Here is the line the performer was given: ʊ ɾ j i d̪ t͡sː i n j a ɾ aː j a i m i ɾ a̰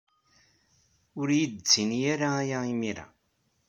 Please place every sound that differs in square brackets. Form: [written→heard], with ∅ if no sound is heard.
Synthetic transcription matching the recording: ʊ ɾ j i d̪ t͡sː i n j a ɾ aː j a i m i ɾ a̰